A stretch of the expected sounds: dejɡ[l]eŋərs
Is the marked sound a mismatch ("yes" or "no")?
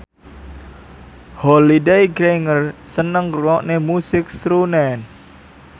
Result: yes